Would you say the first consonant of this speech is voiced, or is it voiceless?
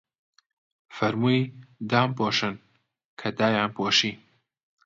voiceless